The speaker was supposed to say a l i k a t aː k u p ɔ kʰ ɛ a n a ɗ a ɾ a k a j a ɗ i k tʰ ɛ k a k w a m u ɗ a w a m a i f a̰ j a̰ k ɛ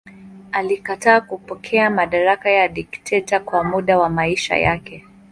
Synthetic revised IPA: a l i k a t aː k u p ɔ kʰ ɛ a m a ɗ a ɾ a k a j a ɗ i k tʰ ɛ t a k w a m u ɗ a w a m a i ʃ a̰ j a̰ k ɛ